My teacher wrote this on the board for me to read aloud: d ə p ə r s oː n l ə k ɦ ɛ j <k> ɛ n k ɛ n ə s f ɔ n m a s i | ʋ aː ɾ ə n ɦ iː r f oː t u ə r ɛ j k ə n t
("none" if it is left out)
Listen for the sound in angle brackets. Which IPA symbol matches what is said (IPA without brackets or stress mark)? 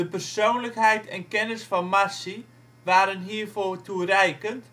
t